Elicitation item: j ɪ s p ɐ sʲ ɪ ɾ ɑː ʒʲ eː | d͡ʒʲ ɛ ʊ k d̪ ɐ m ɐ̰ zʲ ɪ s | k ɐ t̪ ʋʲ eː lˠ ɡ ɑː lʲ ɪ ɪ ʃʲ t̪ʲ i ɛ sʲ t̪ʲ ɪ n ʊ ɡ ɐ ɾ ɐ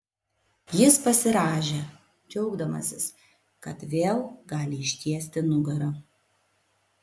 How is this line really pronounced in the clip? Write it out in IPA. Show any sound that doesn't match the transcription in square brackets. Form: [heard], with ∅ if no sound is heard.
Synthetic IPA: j ɪ s p ɐ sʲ ɪ ɾ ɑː ʒʲ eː | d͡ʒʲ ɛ ʊ [ɡ] d̪ ɐ m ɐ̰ [sʲ] ɪ s | k ɐ t̪ ʋʲ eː lˠ ɡ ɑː lʲ ɪ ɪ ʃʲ t̪ʲ i ɛ sʲ t̪ʲ ɪ n ʊ ɡ ɐ ɾ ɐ